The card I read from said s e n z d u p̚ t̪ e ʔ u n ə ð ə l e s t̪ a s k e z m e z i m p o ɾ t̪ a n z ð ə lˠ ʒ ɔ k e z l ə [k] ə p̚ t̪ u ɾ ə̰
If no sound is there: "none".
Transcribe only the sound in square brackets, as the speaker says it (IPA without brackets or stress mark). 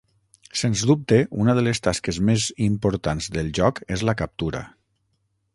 k